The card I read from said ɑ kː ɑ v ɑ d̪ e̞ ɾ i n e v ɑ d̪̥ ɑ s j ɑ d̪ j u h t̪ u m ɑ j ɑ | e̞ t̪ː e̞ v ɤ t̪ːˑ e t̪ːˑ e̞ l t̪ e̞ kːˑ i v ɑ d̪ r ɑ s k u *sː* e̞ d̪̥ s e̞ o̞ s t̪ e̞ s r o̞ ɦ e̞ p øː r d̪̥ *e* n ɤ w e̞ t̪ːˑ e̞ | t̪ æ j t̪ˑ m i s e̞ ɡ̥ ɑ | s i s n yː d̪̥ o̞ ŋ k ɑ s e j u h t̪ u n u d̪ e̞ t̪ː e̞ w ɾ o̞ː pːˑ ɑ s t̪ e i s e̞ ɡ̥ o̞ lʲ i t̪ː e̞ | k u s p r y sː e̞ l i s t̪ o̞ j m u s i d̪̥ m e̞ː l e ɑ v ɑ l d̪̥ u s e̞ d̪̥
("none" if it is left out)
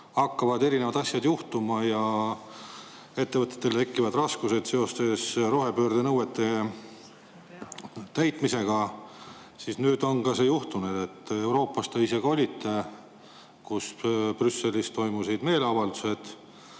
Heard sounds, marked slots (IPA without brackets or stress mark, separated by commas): s, e